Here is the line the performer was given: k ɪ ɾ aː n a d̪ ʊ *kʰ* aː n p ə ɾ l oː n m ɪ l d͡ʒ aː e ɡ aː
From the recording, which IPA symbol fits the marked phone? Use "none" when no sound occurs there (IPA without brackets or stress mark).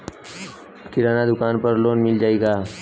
k